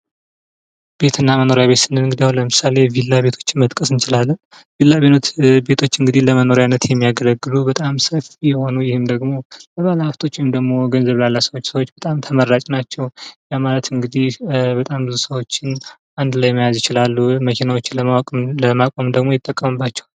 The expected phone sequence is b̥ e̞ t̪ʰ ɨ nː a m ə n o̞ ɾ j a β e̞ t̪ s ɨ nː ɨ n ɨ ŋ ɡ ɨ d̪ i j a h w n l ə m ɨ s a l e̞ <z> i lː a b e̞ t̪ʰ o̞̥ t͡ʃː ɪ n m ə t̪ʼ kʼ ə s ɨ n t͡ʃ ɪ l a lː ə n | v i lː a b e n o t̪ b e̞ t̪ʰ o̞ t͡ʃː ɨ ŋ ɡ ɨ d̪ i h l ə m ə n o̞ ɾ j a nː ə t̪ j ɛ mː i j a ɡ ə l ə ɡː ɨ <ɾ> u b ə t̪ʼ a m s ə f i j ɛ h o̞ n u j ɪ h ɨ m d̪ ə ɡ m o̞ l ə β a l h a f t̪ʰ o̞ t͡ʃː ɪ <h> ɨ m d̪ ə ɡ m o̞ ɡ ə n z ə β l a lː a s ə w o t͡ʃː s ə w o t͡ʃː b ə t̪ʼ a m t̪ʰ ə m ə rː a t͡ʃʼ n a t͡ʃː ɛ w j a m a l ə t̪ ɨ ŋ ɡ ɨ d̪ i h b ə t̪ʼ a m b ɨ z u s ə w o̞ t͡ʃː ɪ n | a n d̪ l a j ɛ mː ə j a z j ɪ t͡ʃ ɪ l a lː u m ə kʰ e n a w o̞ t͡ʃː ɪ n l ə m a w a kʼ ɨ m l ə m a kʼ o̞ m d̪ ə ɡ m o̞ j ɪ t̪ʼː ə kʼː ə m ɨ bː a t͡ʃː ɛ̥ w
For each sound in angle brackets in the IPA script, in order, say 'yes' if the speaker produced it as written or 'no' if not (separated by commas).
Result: no, no, yes